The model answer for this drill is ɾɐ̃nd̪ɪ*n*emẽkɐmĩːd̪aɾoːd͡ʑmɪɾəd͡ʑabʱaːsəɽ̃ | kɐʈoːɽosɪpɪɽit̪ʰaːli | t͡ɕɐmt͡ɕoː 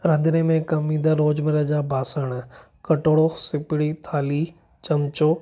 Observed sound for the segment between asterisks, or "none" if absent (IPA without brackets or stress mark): n